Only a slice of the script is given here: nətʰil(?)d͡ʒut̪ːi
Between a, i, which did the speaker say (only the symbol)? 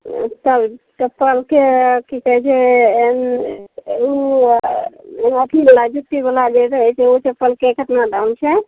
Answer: a